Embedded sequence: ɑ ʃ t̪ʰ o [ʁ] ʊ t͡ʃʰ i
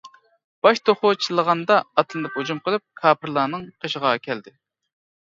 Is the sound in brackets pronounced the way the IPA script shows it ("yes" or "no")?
no